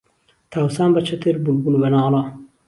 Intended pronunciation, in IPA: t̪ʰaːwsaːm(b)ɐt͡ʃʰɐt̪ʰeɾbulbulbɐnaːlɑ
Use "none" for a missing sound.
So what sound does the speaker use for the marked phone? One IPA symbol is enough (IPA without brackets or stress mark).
b